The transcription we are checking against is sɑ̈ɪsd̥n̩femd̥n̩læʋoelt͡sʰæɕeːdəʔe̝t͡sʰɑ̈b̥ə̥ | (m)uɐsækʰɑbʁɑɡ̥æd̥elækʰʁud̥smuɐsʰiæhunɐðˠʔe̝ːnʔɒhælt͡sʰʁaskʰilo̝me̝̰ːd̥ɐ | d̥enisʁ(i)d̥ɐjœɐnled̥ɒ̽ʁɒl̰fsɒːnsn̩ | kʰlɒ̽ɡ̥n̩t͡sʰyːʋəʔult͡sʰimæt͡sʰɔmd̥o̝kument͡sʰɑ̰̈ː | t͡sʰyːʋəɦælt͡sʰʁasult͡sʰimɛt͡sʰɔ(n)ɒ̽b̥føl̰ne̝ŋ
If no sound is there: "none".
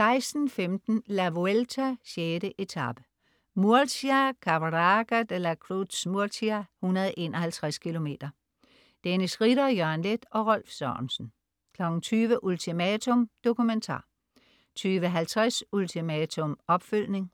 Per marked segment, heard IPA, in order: m, i, m

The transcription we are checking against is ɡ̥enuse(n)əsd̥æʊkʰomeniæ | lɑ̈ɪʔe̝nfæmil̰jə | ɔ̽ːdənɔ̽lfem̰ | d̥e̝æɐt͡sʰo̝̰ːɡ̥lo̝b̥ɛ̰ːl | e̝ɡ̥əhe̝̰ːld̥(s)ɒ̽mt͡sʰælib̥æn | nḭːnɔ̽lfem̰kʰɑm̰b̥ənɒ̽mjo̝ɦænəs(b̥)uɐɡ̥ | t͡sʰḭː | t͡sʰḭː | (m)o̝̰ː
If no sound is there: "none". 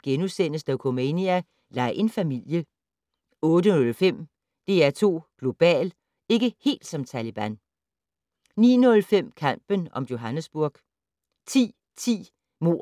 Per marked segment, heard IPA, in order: n, s, b̥, m

